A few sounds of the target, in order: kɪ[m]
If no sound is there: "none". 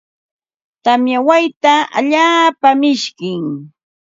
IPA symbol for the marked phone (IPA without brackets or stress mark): ŋ